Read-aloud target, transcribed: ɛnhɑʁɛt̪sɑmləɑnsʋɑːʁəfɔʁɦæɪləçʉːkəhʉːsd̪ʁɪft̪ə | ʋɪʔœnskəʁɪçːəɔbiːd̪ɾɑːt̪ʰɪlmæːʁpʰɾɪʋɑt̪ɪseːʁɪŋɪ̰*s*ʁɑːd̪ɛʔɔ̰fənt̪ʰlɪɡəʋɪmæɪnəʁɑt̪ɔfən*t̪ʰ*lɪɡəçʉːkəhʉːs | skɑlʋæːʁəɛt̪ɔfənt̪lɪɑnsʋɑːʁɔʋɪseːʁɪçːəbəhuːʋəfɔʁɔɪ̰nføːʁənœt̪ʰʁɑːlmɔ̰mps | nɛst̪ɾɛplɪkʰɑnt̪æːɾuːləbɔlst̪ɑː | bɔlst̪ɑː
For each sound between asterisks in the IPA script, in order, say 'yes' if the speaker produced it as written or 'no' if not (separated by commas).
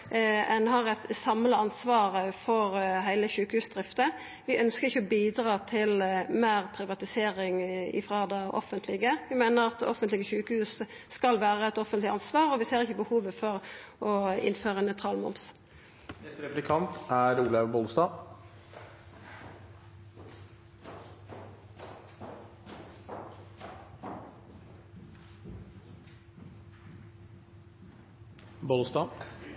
no, no